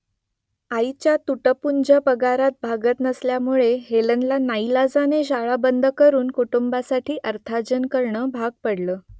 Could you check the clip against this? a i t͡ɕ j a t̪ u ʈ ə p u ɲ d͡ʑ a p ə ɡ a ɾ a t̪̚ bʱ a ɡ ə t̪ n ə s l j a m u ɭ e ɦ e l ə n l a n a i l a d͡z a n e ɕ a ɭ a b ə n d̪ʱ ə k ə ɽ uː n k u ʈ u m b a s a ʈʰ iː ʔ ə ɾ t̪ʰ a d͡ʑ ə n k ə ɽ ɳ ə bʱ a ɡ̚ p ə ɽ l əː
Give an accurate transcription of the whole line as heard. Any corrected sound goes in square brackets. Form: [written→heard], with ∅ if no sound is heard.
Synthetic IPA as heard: a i t͡ɕ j a t̪ u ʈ ə p u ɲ d͡ʑ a p ə ɡ a ɾ a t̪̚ bʱ a ɡ ə t̪ n ə s l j a m u ɭ e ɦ e l ə n l a n a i l a d͡z a n e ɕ a ɭ a b ə n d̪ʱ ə k ə [ɽ→ɾ] uː n k u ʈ u m b a s a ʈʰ iː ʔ ə ɾ t̪ʰ a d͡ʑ ə n k ə [ɽ→ɾ] ɳ ə bʱ a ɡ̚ p ə ɽ l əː